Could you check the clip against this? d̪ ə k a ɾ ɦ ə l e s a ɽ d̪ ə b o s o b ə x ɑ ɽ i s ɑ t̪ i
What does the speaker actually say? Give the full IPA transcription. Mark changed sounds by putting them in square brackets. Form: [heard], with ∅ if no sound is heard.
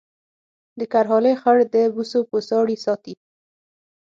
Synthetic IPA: d̪ ə k a ɾ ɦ [ɑ] l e [x] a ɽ d̪ ə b [u] s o [p] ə [s] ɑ ɽ i s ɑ t̪ i